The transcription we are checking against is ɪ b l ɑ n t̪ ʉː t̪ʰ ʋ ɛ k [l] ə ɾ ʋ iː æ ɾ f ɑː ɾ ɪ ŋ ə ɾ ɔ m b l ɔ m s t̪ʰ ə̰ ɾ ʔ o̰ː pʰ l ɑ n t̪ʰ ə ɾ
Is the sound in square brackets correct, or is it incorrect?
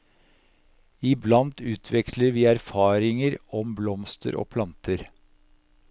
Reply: correct